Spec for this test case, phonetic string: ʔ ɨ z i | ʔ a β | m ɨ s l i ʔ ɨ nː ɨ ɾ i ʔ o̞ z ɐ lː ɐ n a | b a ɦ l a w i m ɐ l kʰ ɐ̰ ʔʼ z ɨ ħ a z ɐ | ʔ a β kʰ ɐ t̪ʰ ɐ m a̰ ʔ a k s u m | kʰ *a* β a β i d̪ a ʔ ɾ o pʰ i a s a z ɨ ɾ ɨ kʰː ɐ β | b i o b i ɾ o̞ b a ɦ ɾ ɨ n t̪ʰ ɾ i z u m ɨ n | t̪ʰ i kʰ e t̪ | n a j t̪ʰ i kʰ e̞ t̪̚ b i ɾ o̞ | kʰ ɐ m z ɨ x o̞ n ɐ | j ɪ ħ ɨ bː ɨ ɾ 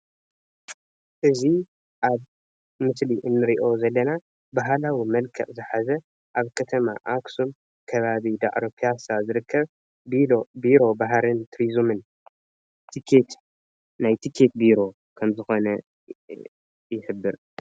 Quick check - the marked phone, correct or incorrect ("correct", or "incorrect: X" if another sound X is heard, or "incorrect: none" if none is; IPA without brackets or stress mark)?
incorrect: ɐ